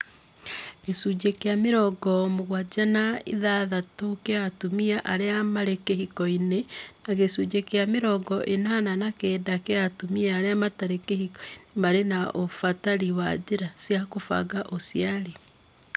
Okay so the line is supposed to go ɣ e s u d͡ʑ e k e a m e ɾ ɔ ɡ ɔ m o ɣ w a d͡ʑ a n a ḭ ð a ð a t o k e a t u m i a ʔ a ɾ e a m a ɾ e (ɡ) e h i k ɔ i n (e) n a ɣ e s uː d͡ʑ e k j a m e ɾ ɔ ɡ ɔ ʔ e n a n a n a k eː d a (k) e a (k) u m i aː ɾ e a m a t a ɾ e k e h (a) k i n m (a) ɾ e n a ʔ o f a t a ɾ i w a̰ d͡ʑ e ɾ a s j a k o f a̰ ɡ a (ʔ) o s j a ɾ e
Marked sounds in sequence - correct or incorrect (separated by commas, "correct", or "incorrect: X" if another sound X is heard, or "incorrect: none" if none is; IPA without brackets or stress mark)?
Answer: incorrect: k, correct, correct, incorrect: t, incorrect: i, correct, correct